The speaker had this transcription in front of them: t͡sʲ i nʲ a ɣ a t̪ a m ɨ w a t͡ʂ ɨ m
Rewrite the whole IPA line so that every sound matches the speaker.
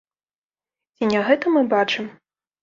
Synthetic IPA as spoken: t͡sʲ i nʲ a ɣ ɛ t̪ ɐ m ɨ b a t͡ʂ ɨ m